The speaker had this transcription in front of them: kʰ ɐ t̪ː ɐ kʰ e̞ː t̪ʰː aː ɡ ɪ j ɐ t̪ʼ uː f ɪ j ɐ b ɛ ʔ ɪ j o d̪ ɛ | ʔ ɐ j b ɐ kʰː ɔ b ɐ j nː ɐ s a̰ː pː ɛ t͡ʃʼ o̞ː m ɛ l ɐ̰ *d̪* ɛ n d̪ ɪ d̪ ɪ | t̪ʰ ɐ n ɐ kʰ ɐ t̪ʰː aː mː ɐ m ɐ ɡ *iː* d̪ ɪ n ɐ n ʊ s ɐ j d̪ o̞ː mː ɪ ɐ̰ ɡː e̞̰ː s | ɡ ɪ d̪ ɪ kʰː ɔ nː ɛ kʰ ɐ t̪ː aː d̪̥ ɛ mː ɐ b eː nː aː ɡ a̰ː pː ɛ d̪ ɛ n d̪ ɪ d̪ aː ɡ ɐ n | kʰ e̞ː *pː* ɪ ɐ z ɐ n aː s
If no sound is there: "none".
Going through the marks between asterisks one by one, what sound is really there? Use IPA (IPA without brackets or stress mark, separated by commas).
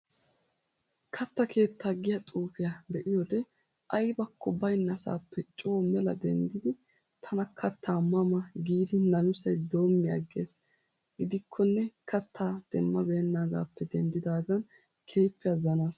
d̪, iː, pː